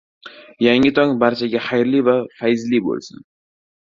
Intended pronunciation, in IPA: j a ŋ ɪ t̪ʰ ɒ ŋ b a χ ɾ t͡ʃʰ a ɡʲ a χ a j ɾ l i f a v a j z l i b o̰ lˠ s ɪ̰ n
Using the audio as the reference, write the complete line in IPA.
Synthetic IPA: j a ŋ ɪ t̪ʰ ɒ ŋ b a ɾ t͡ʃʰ a ɡʲ a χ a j ɾ l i v a f a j z l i b o̰ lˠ s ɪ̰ n